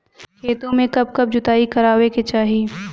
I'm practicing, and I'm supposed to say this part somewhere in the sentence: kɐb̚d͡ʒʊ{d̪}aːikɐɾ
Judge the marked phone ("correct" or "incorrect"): incorrect